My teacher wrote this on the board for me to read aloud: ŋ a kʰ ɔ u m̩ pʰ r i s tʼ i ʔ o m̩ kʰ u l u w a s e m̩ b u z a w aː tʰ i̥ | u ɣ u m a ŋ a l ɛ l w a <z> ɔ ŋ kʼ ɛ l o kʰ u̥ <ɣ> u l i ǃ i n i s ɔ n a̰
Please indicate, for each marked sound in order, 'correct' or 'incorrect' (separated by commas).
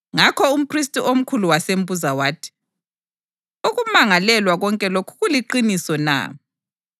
incorrect, correct